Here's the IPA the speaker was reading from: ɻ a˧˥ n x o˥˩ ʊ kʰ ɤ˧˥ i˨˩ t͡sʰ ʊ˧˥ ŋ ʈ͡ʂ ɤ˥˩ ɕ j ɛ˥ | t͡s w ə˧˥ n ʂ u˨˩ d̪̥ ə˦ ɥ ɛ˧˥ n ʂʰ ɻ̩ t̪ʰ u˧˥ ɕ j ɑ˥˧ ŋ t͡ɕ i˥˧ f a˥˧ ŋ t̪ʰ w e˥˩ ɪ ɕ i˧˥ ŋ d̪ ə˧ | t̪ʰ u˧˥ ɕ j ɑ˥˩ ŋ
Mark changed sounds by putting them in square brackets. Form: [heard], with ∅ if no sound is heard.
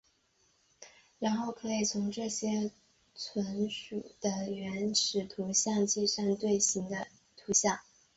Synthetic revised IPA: ɻ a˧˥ n x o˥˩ ʊ kʰ ɤ˧˥ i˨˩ t͡sʰ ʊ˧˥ ŋ ʈ͡ʂ ɤ˥˩ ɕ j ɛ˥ | [t͡sʰ] w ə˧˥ n ʂ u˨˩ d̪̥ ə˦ ɥ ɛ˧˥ n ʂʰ ɻ̩ t̪ʰ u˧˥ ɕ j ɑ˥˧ ŋ t͡ɕ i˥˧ [ʂ] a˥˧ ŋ [t̪] w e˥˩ ɪ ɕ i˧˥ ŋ d̪ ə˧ | t̪ʰ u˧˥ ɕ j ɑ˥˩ ŋ